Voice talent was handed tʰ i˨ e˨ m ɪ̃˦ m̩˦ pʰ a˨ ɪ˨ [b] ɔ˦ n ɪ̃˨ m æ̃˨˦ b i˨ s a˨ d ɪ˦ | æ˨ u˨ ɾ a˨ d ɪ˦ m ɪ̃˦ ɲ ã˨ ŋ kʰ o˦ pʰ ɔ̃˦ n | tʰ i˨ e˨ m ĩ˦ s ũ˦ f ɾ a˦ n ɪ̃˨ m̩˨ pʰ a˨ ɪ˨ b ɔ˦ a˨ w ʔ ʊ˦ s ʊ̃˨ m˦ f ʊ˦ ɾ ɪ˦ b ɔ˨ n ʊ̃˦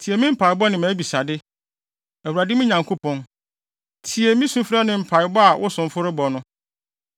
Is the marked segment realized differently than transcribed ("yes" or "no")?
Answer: no